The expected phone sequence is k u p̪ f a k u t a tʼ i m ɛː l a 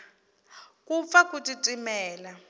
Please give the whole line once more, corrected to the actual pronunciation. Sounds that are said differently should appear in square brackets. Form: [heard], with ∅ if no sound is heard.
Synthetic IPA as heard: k u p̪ f a k u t [i] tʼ i m ɛː l a